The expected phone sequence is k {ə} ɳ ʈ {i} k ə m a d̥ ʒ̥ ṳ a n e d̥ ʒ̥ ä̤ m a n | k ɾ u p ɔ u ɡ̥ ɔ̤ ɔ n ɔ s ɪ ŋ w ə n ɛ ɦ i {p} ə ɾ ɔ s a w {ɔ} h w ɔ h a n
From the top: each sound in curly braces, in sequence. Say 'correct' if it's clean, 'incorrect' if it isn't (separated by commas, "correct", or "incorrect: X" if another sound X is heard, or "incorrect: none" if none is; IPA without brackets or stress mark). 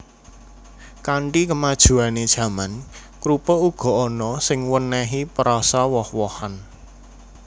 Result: incorrect: a, correct, correct, correct